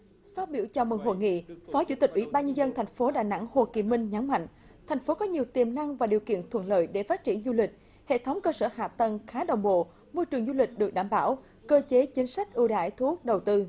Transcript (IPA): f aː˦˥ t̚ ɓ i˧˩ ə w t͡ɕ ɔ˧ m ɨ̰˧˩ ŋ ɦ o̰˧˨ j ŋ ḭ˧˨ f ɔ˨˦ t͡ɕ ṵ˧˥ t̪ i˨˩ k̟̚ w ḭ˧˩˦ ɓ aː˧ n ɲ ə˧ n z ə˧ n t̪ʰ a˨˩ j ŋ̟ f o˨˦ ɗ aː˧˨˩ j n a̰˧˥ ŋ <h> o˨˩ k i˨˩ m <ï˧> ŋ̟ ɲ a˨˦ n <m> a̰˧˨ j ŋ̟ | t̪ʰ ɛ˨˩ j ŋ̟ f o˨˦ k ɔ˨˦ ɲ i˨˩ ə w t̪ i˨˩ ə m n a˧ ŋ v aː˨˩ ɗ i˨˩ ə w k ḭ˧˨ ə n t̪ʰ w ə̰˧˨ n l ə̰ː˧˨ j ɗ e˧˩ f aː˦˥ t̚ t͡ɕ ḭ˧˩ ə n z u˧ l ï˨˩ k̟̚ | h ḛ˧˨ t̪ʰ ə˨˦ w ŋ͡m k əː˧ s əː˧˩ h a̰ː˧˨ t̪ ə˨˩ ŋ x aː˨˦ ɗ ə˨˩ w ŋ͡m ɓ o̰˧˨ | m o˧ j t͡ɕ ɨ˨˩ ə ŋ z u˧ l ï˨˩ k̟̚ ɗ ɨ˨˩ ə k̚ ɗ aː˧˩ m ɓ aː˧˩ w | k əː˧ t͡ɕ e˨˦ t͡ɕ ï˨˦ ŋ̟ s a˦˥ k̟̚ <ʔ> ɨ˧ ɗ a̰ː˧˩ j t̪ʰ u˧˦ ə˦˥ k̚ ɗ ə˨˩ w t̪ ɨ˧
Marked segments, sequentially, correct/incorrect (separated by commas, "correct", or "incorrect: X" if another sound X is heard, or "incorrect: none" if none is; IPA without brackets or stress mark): correct, correct, correct, correct